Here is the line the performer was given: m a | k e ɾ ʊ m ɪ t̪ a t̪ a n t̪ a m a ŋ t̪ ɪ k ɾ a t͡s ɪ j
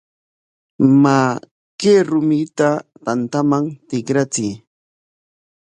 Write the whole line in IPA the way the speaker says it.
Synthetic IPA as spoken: m a | k e ɾ ʊ m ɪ t̪ a t̪ a n t̪ a m a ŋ t̪ ɪ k ɾ a t͡s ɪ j